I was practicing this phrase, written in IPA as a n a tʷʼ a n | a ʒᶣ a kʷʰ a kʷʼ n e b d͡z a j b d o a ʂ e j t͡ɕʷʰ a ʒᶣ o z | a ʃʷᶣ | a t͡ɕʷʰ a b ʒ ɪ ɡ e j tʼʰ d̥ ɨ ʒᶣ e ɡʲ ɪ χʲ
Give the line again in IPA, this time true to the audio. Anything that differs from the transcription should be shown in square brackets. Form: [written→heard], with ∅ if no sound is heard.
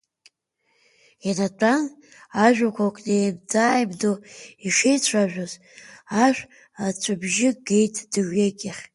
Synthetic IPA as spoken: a n a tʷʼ a n | a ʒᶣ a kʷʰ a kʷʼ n e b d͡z a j b d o [a→i] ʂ e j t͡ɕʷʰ a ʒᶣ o z | a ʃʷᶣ | a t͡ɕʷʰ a b ʒ ɪ ɡ e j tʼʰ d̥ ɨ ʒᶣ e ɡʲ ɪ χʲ